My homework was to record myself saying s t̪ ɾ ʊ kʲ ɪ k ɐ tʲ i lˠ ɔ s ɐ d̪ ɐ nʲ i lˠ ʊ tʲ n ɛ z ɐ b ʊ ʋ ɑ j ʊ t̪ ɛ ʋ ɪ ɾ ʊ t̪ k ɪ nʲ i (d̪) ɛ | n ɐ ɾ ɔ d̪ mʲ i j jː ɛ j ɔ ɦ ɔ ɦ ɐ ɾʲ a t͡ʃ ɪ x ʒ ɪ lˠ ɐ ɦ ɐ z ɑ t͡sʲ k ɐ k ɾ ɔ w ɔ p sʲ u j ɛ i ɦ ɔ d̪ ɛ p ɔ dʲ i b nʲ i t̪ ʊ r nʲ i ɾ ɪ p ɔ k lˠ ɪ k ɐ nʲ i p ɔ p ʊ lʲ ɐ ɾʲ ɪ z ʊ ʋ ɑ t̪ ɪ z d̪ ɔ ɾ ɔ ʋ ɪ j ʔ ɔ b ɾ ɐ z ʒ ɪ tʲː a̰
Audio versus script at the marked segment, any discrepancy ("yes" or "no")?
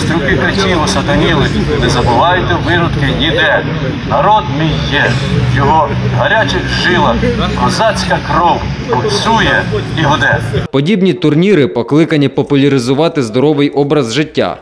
no